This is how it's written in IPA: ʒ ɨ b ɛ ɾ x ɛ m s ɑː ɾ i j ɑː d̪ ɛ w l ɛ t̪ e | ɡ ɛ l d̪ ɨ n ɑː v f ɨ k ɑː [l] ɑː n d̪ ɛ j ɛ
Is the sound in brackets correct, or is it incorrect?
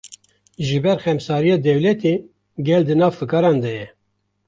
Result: incorrect: ɾ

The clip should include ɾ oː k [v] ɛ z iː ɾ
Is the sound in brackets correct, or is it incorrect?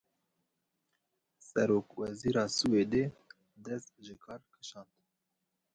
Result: incorrect: w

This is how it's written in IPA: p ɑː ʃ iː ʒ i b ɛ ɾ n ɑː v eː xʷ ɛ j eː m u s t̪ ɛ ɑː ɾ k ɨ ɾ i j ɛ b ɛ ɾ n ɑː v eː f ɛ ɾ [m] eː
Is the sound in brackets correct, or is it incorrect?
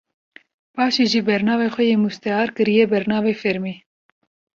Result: correct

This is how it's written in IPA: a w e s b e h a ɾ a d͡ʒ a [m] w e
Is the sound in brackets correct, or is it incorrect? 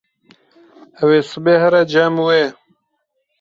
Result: correct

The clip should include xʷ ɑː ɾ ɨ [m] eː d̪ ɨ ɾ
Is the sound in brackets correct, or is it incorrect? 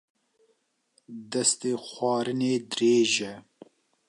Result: incorrect: n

